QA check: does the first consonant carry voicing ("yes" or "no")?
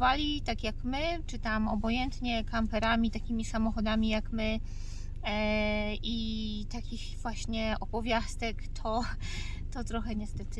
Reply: yes